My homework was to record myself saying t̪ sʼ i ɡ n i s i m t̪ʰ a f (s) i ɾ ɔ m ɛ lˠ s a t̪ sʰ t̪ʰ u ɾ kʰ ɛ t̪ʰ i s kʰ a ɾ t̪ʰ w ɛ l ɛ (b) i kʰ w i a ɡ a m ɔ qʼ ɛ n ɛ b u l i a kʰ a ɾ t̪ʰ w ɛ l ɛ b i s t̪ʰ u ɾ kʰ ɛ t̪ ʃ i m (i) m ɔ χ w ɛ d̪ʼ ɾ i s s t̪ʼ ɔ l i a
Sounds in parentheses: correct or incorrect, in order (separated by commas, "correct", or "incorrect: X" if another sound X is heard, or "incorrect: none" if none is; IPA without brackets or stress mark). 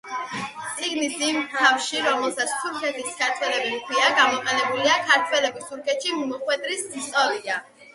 incorrect: ʃ, correct, correct